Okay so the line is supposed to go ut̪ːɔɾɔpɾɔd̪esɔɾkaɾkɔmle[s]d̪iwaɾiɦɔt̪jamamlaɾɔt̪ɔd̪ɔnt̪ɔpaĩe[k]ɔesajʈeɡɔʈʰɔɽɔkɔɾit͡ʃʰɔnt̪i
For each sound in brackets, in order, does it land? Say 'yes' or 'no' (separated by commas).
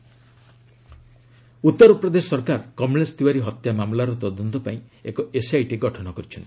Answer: yes, yes